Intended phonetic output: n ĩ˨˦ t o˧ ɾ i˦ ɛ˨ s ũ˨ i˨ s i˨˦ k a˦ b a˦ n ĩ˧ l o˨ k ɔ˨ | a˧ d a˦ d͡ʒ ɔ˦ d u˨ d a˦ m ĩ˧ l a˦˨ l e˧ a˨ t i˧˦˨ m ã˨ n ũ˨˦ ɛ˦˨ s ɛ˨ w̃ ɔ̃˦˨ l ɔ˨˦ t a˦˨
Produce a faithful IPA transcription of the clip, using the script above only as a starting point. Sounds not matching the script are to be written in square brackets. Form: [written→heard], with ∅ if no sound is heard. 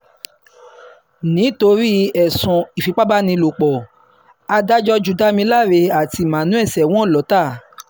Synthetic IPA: n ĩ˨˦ t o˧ ɾ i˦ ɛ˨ s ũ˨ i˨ [s→f] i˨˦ [k→k͡p] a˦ b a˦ n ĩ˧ l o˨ [k→k͡p] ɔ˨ | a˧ d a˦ d͡ʒ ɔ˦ [d→d͡ʒ] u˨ d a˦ m ĩ˧ l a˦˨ [l→ɾ] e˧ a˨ t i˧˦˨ m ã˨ n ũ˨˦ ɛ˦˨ s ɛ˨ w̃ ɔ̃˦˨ l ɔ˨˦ t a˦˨